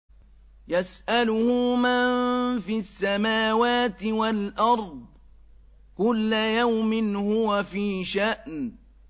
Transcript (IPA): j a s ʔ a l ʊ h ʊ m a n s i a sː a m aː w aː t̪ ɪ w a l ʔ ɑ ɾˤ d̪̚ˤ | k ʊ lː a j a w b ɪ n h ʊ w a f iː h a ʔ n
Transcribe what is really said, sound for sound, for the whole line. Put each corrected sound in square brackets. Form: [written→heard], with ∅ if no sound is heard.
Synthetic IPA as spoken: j a s ʔ a l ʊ h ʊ m a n [s→f] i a sː a m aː w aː t̪ ɪ w a l ʔ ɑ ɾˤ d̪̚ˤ | k ʊ lː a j a w [b→m] ɪ n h ʊ w a f iː [h→ʃ] a ʔ n